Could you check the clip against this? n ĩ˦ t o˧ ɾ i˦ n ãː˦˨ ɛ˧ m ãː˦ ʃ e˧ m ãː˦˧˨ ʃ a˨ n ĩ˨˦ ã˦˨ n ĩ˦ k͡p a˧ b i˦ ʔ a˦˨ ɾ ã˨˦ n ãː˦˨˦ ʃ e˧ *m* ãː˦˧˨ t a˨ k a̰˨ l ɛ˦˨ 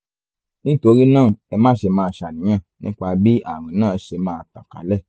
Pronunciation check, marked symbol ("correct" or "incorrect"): correct